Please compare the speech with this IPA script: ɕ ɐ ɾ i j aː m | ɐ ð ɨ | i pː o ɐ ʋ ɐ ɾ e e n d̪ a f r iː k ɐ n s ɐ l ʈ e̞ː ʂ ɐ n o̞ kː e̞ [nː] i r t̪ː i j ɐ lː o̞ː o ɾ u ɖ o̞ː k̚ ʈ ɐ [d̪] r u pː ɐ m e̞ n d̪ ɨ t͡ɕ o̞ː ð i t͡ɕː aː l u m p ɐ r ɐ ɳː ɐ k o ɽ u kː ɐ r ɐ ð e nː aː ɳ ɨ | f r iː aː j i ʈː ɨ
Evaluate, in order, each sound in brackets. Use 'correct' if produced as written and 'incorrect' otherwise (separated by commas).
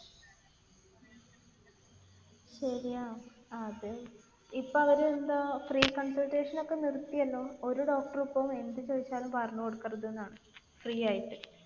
incorrect, incorrect